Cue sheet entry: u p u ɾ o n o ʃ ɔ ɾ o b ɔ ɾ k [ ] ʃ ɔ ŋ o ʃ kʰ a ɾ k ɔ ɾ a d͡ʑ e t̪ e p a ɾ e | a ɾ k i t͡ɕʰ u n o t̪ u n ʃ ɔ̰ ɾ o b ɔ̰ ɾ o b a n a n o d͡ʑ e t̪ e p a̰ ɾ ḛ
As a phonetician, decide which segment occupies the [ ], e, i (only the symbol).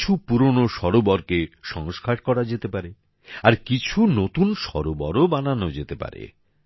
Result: e